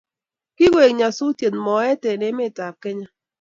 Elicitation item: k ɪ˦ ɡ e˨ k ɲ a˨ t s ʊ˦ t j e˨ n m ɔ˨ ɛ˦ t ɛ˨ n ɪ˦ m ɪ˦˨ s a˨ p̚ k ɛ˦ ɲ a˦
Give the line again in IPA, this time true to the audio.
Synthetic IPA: k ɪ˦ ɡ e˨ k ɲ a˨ s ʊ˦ t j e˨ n m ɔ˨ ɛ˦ t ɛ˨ n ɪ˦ m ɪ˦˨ t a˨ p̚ k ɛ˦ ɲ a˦